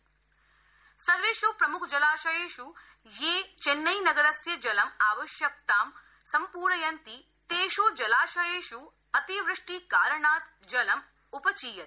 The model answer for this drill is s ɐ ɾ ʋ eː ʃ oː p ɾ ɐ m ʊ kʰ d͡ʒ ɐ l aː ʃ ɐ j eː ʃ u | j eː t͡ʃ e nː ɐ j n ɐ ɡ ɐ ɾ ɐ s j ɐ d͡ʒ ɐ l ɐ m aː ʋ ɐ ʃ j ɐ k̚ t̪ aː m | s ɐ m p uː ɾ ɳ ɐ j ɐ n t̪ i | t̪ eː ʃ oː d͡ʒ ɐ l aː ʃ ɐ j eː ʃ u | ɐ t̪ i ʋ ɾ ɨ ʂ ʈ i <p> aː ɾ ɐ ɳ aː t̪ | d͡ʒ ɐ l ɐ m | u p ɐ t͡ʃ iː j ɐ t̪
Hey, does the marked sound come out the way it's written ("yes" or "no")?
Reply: no